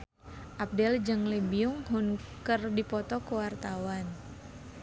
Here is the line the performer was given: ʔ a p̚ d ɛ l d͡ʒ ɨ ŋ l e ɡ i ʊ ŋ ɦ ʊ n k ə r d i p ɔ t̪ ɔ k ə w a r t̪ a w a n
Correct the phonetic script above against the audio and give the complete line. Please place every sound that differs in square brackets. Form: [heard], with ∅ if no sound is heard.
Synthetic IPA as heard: ʔ a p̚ d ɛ l d͡ʒ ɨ ŋ l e [b] i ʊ ŋ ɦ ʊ n k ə r d i p ɔ t̪ ɔ k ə w a r t̪ a w a n